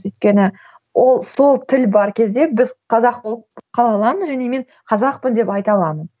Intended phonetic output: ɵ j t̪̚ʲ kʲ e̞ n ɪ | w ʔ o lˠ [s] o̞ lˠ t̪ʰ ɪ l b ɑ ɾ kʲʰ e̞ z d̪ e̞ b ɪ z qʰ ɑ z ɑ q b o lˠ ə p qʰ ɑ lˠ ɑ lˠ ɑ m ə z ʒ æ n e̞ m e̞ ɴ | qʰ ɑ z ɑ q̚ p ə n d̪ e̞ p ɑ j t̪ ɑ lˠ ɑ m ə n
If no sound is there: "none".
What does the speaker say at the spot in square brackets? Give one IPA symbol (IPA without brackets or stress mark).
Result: s